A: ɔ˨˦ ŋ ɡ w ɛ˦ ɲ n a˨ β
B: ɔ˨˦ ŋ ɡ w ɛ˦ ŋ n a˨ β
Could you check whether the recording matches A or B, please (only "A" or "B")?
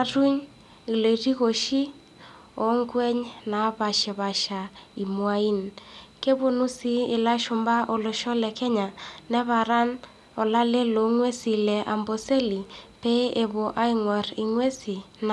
A